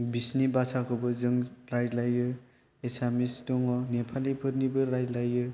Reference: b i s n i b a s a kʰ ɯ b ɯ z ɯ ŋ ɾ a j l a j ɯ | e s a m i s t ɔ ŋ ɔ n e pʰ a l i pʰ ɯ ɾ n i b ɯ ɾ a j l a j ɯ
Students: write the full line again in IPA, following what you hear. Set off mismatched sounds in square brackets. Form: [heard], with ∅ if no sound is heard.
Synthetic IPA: b i s n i b a s a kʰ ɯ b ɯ z ɯ ŋ ɾ a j l a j ɯ | e s a m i s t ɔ ŋ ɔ n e pʰ a l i pʰ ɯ ɾ n i b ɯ ɾ a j l a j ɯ

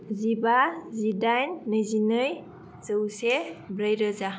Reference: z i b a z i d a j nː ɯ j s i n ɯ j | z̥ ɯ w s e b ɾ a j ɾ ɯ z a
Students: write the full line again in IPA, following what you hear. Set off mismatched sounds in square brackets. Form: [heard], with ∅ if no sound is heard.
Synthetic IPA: z i b a z i d a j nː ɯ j [z] i n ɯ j | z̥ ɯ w s e b ɾ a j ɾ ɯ z a

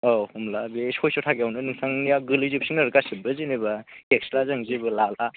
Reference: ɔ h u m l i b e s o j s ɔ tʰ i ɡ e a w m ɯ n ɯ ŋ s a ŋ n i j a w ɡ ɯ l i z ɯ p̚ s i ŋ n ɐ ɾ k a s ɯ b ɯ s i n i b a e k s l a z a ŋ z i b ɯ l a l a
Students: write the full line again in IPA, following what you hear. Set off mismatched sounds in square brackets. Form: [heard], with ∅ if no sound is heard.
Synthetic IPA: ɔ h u m l [a] b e s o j s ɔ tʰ [a] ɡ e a w [n] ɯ n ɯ ŋ s a ŋ n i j a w ɡ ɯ l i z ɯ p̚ s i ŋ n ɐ ɾ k a s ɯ b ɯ [z] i n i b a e k s l a z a ŋ z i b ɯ l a l a

